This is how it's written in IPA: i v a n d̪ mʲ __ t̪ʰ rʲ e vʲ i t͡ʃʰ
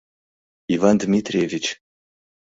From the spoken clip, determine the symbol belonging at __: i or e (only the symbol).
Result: i